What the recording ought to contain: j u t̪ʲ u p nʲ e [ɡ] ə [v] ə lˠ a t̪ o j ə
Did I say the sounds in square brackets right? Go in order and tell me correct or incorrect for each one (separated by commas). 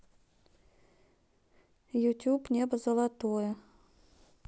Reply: incorrect, incorrect